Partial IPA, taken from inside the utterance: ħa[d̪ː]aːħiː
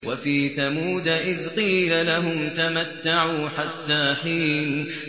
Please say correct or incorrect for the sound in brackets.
incorrect